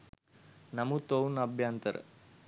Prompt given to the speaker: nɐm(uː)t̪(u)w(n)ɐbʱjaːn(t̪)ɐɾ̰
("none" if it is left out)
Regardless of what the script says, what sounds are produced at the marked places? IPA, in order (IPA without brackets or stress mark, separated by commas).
u, o, n, t̪